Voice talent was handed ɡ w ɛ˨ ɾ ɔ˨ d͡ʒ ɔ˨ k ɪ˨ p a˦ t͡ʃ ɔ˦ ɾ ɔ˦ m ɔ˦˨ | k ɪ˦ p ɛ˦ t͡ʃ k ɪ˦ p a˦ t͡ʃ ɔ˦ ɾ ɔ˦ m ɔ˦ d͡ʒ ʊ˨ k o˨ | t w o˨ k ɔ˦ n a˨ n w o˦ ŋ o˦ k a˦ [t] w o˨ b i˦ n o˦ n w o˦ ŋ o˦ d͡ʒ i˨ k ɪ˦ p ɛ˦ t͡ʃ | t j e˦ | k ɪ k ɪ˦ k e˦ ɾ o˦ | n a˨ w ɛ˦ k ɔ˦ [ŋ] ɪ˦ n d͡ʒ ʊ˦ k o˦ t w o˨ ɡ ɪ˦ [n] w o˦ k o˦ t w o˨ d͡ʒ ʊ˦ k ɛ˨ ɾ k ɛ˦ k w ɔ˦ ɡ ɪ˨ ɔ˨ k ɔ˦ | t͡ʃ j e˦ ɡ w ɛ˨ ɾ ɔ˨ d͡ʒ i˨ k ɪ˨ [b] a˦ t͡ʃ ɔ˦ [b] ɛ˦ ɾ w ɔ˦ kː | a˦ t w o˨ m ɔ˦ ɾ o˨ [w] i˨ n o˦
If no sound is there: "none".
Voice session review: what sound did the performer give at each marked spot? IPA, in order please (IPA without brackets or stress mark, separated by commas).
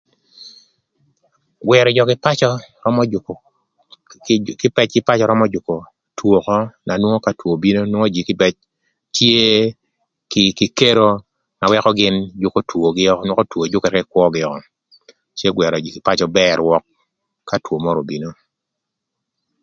t, ɡ, n, p, b, b